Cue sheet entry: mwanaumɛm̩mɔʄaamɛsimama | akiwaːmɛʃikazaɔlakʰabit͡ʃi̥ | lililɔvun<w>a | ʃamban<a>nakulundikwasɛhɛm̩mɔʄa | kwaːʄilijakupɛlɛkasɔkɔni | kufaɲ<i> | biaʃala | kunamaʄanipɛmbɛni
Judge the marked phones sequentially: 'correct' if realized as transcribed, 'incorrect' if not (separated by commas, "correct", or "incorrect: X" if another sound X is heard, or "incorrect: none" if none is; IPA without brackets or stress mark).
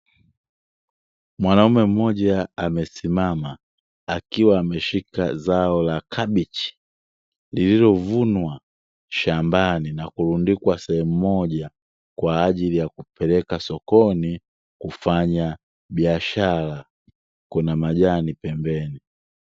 correct, incorrect: i, incorrect: a